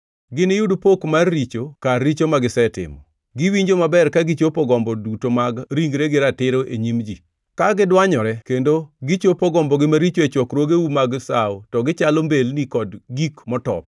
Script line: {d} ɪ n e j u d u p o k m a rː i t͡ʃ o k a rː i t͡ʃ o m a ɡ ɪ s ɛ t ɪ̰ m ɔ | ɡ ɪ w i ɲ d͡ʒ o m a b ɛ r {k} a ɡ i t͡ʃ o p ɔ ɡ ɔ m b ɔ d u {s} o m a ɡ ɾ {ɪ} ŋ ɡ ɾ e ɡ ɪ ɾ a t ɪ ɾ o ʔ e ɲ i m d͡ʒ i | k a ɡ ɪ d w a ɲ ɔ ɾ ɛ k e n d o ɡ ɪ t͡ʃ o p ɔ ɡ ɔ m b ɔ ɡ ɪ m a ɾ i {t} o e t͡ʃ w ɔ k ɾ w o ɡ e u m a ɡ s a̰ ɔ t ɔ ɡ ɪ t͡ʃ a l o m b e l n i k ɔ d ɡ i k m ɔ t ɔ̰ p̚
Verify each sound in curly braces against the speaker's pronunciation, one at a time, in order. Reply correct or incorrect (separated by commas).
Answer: incorrect, correct, incorrect, incorrect, incorrect